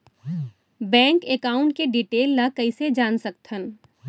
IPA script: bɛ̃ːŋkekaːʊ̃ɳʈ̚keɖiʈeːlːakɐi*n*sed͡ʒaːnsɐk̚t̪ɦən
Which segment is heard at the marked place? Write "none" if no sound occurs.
none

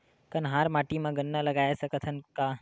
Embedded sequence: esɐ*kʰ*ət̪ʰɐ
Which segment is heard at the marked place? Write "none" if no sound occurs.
k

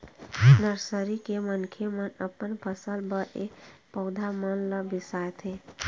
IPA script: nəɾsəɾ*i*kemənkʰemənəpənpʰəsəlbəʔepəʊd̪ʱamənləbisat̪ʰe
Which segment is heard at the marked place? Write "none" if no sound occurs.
i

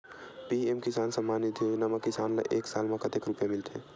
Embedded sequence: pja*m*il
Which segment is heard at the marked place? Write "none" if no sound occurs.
m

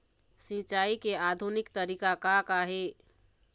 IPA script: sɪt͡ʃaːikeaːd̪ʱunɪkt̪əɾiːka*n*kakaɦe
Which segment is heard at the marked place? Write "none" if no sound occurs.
none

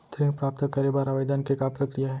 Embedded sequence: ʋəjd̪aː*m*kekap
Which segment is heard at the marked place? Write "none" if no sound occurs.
n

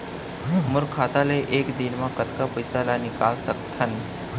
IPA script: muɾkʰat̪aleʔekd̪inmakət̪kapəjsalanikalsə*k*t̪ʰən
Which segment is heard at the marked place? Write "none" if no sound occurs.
k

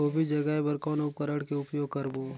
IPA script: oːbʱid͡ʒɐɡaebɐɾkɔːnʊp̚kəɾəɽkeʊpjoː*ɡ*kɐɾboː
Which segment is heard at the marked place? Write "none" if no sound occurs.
ɡ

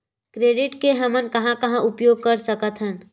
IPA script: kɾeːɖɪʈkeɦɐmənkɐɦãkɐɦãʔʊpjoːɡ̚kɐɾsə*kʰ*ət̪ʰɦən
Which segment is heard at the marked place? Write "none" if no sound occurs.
k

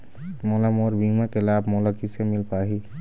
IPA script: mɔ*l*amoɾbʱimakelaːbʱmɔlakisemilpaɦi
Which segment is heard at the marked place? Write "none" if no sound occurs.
l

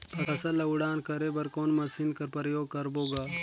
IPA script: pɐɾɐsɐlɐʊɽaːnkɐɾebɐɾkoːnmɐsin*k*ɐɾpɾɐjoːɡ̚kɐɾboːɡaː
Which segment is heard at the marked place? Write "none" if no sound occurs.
k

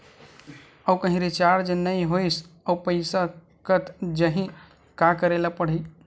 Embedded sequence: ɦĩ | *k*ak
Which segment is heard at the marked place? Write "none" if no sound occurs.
k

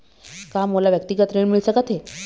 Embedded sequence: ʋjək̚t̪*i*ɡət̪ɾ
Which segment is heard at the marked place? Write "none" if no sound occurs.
i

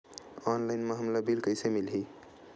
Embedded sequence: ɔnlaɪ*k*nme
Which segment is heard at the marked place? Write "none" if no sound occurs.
none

